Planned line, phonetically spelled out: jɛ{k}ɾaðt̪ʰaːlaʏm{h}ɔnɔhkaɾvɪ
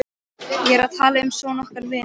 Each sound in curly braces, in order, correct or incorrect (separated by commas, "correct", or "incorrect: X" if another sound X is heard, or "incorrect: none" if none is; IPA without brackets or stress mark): incorrect: none, incorrect: s